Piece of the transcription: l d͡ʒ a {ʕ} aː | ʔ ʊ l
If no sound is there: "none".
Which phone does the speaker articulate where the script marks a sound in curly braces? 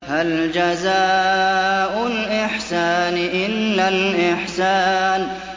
z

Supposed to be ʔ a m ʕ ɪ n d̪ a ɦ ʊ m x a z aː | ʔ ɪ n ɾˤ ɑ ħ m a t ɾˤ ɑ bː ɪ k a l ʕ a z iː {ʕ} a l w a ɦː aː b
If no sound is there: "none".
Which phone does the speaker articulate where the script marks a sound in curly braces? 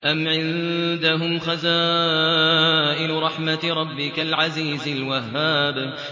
z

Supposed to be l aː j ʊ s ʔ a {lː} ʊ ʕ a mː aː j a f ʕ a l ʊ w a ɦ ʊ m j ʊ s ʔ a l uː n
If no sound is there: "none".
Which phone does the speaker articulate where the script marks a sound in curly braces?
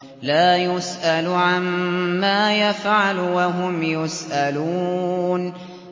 l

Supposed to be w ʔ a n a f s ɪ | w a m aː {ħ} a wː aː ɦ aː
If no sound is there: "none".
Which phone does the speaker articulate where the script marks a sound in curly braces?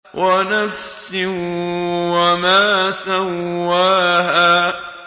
s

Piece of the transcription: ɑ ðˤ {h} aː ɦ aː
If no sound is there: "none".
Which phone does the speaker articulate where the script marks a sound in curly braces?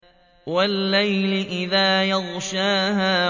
ʃ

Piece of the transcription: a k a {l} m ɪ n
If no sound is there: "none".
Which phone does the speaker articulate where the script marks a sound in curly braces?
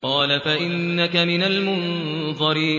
none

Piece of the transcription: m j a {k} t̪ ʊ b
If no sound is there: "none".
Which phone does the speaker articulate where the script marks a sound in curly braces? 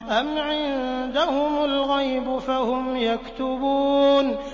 k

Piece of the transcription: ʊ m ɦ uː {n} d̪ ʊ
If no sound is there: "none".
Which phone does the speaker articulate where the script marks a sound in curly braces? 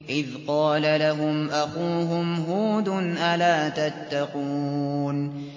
none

